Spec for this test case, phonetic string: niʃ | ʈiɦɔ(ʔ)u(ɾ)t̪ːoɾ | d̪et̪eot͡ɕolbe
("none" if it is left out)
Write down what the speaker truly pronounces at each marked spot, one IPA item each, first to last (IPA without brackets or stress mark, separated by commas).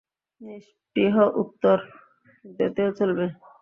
ʔ, none